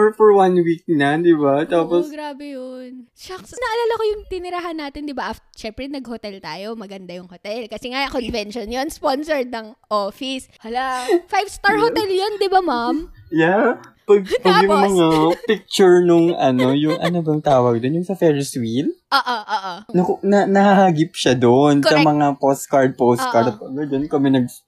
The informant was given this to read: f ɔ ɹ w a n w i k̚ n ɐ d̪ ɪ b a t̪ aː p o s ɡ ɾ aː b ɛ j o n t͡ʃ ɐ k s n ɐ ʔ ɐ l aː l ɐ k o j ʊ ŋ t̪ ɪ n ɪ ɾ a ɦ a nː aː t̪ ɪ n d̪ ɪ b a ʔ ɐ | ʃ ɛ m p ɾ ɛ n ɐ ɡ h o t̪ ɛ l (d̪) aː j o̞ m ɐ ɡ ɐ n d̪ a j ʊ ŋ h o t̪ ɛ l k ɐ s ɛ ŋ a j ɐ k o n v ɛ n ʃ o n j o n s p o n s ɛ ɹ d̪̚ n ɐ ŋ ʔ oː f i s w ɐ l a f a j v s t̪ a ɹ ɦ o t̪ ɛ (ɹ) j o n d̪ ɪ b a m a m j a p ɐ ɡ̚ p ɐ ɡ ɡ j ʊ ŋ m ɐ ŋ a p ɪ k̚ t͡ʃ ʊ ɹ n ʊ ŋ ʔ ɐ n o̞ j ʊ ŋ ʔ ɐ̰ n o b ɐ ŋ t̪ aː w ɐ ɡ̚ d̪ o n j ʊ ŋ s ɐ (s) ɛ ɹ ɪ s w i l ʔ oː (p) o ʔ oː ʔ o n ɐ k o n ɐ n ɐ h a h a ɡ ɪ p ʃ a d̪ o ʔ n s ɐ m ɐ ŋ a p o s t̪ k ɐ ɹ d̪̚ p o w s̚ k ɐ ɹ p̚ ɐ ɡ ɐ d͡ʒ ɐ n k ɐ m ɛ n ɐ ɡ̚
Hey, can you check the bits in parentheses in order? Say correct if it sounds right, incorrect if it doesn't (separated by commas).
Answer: incorrect, incorrect, incorrect, incorrect